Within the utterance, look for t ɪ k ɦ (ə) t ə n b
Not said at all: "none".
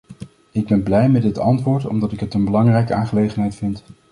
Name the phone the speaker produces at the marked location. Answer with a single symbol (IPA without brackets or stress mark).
ə